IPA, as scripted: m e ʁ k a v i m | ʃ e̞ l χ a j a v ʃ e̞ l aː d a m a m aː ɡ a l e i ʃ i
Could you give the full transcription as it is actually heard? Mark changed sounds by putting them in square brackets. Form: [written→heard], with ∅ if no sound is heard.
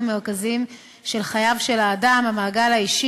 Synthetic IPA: m e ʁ k a [v→z] i m | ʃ e̞ l χ a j a v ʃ e̞ l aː d a m a m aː ɡ a l [e→a] i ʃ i